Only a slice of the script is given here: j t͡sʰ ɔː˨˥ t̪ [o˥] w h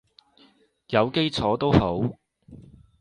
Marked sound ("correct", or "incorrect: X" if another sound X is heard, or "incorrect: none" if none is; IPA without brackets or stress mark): correct